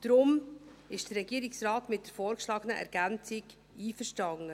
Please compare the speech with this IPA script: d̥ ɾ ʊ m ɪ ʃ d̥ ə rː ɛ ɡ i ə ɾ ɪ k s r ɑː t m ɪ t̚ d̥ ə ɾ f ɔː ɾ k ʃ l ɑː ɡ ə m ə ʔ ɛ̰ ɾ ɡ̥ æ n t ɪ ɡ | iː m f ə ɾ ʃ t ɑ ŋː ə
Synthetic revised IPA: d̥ ɾ ʊ m ɪ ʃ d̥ ə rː ɛ ɡ i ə ɾ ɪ k s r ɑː t m ɪ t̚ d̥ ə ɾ f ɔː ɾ k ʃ l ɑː ɡ ə n ə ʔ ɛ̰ ɾ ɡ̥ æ n t͡s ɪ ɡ | iː f ə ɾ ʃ t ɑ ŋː ə